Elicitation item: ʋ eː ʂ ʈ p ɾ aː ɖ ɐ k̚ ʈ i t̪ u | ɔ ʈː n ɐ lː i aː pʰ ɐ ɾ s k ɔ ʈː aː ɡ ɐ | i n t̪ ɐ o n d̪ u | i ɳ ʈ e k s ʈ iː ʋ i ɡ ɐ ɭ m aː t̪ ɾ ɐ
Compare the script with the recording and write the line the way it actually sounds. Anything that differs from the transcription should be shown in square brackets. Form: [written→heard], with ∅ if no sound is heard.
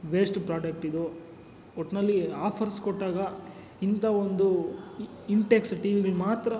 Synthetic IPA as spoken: ʋ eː [ʂ→s] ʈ p ɾ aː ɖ ɐ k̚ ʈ i [t̪→d̪] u | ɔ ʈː n ɐ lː i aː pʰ ɐ ɾ s k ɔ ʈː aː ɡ ɐ | i n t̪ ɐ o n d̪ u | i ɳ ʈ e k s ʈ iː ʋ i ɡ ɐ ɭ m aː t̪ ɾ ɐ